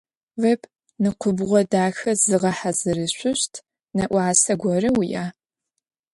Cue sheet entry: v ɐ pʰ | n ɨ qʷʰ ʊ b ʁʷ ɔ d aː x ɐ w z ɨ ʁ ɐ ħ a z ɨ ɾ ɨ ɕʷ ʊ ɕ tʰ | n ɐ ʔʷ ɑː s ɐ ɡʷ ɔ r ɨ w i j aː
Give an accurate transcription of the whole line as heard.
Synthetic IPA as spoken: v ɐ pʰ | n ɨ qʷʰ ʊ b ʁʷ ɔ d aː x ɐ z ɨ ʁ ɐ ħ a z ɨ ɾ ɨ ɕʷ ʊ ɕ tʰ | n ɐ ʔʷ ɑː s ɐ ɡʷ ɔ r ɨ w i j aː